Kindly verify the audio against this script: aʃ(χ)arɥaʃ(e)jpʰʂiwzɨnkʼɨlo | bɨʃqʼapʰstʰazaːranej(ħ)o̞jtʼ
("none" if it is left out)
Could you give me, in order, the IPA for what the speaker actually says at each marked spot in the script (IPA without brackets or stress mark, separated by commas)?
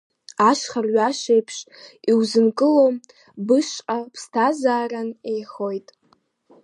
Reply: χ, e, χ